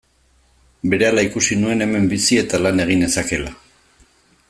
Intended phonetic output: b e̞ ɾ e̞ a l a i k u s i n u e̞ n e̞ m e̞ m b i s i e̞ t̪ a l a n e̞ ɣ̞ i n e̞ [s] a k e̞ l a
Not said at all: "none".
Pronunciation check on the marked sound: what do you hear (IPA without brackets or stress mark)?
s